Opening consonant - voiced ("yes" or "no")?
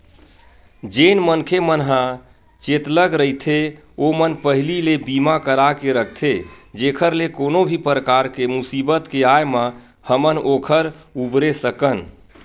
yes